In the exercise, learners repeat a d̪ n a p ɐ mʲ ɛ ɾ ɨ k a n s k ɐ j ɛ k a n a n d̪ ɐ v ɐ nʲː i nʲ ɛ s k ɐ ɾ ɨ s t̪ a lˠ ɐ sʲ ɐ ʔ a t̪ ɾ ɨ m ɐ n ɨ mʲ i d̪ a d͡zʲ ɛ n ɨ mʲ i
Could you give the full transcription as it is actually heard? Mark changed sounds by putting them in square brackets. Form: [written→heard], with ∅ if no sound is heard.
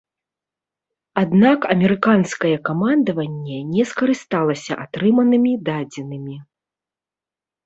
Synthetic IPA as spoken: a d̪ n a [p→k] ɐ mʲ ɛ ɾ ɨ k a n s k ɐ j ɛ k a [n→m] a n d̪ ɐ v ɐ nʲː [i→ɛ] nʲ ɛ s k ɐ ɾ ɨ s t̪ a lˠ ɐ sʲ ɐ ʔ a t̪ ɾ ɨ m ɐ n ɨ mʲ i d̪ a d͡zʲ ɛ n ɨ mʲ i